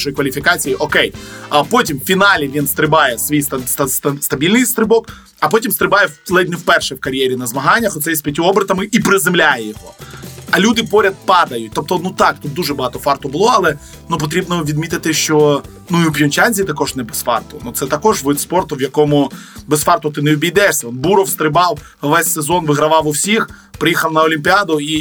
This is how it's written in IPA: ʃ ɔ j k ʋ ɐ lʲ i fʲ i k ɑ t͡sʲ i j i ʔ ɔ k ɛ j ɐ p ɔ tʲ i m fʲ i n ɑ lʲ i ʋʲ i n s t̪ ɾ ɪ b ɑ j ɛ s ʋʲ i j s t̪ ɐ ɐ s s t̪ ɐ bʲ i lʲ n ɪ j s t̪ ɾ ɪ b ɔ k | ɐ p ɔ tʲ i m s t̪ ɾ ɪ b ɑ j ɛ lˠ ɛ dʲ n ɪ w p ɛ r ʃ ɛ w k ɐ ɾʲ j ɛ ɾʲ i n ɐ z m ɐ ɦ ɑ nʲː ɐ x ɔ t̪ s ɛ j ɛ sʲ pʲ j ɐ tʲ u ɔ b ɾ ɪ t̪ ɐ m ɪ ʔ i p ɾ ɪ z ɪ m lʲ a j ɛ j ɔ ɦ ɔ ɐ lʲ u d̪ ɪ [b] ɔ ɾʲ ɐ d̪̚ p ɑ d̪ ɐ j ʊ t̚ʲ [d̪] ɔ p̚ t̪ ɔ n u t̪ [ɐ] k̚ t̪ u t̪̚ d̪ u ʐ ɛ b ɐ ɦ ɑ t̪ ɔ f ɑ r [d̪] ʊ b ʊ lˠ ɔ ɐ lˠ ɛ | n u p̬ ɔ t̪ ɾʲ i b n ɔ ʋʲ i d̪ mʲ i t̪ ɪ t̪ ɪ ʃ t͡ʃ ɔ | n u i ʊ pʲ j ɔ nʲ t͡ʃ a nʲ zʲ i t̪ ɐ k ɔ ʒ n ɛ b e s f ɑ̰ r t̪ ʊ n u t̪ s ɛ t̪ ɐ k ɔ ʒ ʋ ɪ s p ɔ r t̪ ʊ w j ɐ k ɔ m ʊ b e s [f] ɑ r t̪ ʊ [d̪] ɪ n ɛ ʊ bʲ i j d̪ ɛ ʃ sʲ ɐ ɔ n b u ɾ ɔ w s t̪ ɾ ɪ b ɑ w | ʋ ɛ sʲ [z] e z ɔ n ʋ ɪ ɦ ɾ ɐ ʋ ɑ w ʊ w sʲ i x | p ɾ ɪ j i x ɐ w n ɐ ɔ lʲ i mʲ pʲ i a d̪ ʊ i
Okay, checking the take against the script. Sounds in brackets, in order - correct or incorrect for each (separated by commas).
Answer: incorrect, incorrect, incorrect, incorrect, correct, incorrect, incorrect